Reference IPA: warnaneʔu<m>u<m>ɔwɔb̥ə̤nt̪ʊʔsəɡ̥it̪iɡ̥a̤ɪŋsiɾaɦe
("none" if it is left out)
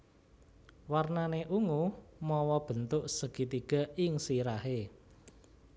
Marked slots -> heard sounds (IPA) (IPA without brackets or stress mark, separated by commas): ŋ, m